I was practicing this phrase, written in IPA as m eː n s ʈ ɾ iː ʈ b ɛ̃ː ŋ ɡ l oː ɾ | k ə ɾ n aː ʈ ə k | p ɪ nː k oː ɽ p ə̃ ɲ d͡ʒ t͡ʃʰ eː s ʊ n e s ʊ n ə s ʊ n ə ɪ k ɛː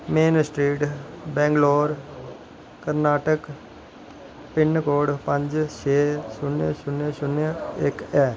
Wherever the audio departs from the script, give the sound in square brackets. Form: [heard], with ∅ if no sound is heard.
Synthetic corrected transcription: m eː n s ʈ ɾ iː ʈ b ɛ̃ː ŋ ɡ l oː ɾ | k ə ɾ n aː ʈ ə k | p ɪ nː k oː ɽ p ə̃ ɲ d͡ʒ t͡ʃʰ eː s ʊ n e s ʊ n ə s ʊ n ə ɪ k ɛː

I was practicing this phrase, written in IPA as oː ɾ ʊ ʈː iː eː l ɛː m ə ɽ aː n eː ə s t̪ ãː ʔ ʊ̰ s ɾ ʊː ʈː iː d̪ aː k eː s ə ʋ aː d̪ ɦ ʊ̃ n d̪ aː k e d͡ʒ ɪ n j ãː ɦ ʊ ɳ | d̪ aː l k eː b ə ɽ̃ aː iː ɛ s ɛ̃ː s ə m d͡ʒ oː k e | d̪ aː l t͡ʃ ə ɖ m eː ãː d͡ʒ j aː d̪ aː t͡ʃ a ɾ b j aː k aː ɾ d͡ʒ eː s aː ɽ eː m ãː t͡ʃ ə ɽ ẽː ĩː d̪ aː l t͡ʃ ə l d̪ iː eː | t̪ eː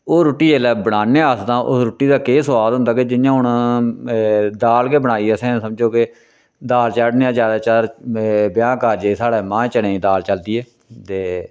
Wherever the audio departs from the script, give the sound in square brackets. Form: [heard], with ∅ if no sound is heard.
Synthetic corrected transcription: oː ɾ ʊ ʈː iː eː l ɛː [b] ə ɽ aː n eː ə s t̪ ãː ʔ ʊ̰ s ɾ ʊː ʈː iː d̪ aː k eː s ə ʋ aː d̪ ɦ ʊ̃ n d̪ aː k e d͡ʒ ɪ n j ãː ɦ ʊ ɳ | d̪ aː l k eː b ə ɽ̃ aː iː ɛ s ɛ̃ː s ə m d͡ʒ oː k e | d̪ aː l t͡ʃ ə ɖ [n] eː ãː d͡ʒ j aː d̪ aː t͡ʃ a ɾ b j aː k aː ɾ d͡ʒ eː s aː ɽ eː m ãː t͡ʃ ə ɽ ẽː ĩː d̪ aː l t͡ʃ ə l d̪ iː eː | t̪ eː

